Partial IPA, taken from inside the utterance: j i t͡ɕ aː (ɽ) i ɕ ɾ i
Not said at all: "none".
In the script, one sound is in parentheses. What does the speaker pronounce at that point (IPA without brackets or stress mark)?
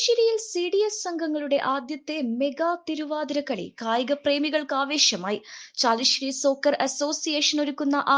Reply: l